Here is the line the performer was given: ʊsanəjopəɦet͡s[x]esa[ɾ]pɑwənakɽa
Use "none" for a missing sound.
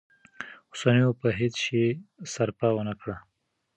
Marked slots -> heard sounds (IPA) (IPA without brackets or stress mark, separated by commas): ʃ, ɾ